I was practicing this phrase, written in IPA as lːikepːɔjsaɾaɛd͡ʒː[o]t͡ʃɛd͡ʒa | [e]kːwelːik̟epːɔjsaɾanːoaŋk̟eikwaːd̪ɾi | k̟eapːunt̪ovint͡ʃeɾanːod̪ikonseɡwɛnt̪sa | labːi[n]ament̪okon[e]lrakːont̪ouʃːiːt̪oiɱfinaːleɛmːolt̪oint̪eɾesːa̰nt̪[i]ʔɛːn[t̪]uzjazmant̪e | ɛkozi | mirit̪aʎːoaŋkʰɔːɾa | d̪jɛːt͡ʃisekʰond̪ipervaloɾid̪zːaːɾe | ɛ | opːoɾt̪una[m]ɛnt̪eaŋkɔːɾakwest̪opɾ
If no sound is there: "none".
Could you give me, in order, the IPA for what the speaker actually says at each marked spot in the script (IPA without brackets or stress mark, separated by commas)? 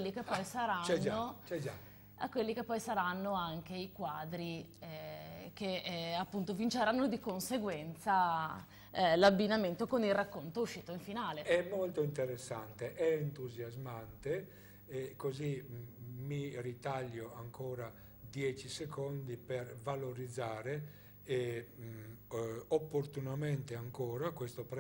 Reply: o, a, n, i, e, t̪, m